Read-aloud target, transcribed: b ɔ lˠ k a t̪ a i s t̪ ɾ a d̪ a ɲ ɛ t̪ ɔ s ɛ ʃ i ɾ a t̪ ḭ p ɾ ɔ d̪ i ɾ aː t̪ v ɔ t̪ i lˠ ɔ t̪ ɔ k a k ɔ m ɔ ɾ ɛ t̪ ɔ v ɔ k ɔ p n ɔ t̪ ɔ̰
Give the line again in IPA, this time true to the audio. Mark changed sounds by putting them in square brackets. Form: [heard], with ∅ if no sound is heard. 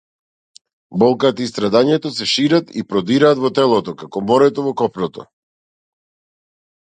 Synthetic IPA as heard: b ɔ lˠ k a t̪ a i s t̪ ɾ a d̪ a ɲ ɛ t̪ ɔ s ɛ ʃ i ɾ a t̪ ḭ p ɾ ɔ d̪ i ɾ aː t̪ v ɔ t̪ [ɛ] lˠ ɔ t̪ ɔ k a k ɔ m ɔ ɾ ɛ t̪ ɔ v ɔ k ɔ p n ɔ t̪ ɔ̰

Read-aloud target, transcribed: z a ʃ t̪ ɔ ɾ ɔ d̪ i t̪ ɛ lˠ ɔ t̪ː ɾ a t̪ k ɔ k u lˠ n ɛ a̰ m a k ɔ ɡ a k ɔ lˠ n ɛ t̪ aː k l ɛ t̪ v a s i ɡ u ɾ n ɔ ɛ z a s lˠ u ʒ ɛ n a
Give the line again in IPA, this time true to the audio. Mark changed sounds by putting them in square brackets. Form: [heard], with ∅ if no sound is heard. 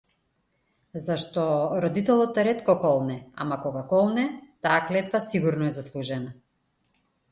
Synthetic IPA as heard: z a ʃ t̪ ɔ ɾ ɔ d̪ i t̪ ɛ lˠ ɔ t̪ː ɾ [ɛ] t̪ k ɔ k [ɔ] lˠ n ɛ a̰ m a k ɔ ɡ a k ɔ lˠ n ɛ t̪ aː k l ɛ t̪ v a s i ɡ u ɾ n ɔ ɛ z a s lˠ u ʒ ɛ n a

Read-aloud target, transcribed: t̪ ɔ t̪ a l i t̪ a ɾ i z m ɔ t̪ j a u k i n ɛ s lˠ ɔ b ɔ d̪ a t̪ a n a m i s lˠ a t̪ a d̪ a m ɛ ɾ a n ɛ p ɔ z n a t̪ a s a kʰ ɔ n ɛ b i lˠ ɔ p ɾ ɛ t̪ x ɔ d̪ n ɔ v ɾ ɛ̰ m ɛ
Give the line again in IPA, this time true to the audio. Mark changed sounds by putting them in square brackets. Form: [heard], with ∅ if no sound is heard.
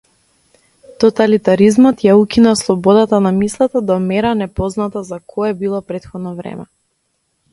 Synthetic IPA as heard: t̪ ɔ t̪ a l i t̪ a ɾ i z m ɔ t̪ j a u k i n [a] s lˠ ɔ b ɔ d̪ a t̪ a n a m i s lˠ a t̪ a d̪ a m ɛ ɾ a n ɛ p ɔ z n a t̪ a [z] a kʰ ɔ [∅] ɛ b i lˠ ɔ p ɾ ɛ t̪ x ɔ d̪ n ɔ v ɾ ɛ̰ m ɛ

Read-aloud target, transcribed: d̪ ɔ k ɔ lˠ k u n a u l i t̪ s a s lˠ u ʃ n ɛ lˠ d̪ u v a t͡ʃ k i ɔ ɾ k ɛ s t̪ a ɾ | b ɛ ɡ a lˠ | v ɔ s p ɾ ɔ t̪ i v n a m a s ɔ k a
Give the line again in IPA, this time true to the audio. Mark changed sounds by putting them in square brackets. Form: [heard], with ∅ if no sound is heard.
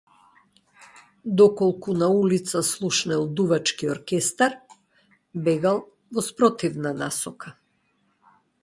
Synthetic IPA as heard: d̪ ɔ k ɔ lˠ k u n a u l i t̪ s a s lˠ u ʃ n ɛ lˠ d̪ u v a t͡ʃ k i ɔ ɾ k ɛ s t̪ a ɾ | b ɛ ɡ a lˠ | v ɔ s p ɾ ɔ t̪ i v n a [n] a s ɔ k a

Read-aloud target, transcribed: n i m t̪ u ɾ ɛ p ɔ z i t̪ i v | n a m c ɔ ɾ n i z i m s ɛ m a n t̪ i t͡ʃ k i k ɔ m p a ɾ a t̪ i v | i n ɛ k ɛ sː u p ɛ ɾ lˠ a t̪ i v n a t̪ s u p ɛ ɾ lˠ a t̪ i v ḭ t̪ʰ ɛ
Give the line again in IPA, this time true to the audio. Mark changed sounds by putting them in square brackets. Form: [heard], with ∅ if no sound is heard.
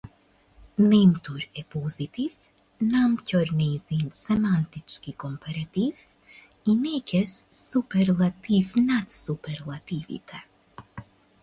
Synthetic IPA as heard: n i m t̪ u ɾ ɛ p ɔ z i t̪ i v | n a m c ɔ ɾ n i z i [n] s ɛ m a n t̪ i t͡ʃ k i k ɔ m p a ɾ a t̪ i v | i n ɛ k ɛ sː u p ɛ ɾ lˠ a t̪ i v n a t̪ s u p ɛ ɾ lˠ a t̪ i v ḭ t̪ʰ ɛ

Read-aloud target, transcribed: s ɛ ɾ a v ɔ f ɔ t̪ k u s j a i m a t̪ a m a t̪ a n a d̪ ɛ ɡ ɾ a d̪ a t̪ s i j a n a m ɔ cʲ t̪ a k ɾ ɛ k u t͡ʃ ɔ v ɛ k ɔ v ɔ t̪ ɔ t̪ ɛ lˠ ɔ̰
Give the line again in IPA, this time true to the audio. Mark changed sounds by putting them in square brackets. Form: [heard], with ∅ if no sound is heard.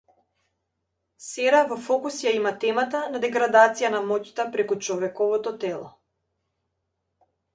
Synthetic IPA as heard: s ɛ ɾ a v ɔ f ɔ [∅] k u s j a i m a t̪ [ɛ] m a t̪ a n a d̪ ɛ ɡ ɾ a d̪ a t̪ s i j a n a m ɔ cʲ t̪ a [p] ɾ ɛ k u t͡ʃ ɔ v ɛ k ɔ v ɔ t̪ ɔ t̪ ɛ lˠ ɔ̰

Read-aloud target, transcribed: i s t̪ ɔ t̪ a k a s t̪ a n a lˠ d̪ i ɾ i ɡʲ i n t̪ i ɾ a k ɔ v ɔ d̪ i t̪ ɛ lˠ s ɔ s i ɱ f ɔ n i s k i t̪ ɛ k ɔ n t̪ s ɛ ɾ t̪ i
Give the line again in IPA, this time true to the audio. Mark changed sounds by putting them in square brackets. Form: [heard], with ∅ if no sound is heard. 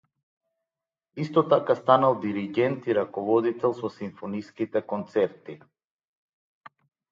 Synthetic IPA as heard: i s t̪ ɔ t̪ a k a s t̪ a n a lˠ d̪ i ɾ i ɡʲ [ɛ] n t̪ i ɾ a k ɔ v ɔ d̪ i t̪ ɛ lˠ s ɔ s i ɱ f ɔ n i s k i t̪ ɛ k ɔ n t̪ s ɛ ɾ t̪ i

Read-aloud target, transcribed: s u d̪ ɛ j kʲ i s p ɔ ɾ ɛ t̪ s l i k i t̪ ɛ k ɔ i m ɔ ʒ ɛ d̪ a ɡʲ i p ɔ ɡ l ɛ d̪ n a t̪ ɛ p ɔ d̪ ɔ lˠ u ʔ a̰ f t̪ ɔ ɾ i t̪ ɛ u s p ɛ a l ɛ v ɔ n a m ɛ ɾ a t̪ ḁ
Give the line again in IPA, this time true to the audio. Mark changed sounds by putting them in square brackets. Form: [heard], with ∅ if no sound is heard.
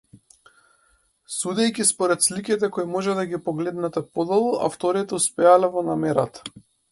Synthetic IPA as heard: s u d̪ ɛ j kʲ i s p ɔ ɾ ɛ t̪ s l i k i t̪ ɛ k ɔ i m ɔ ʒ ɛ d̪ a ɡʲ i p ɔ ɡ l ɛ d̪ n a t̪ ɛ p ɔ d̪ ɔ lˠ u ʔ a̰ f t̪ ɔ ɾ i t̪ ɛ u s p ɛ a l ɛ v ɔ n a m ɛ ɾ a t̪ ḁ

